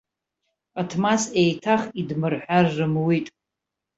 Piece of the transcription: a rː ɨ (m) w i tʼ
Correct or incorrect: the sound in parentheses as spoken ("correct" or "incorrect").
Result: correct